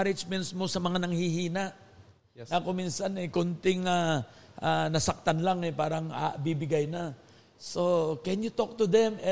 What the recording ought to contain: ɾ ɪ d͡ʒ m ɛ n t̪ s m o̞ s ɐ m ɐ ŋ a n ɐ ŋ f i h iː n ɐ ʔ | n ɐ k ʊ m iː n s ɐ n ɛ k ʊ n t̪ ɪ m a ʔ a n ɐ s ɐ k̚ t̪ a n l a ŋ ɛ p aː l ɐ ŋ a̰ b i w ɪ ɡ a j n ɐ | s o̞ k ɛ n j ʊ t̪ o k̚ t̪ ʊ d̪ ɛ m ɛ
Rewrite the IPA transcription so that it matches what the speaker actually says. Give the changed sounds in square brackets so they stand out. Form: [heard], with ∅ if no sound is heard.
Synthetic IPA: ɾ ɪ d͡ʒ m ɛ n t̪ s m o̞ s ɐ m ɐ ŋ a n ɐ ŋ [h] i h iː n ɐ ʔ | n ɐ k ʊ m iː n s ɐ n ɛ k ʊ n t̪ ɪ [ŋ] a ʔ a n ɐ s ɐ k̚ t̪ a n l a ŋ ɛ p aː [ɾ] ɐ ŋ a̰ b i [b] ɪ ɡ a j n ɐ | s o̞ k ɛ n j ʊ t̪ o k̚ t̪ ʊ d̪ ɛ m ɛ